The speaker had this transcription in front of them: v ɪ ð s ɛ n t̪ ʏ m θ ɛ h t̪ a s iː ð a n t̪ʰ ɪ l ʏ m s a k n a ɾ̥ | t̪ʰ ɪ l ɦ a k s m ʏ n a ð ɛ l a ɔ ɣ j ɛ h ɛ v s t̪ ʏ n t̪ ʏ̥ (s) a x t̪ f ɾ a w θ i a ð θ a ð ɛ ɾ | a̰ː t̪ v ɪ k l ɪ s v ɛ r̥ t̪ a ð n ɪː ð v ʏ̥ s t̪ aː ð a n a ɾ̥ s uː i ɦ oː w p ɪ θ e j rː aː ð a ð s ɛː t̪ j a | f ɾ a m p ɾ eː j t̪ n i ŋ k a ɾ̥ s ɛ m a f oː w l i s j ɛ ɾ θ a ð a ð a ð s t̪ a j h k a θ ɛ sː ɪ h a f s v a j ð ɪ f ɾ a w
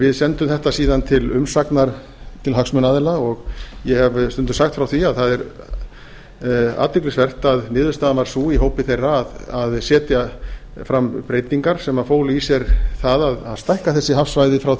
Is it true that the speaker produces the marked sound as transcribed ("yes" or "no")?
yes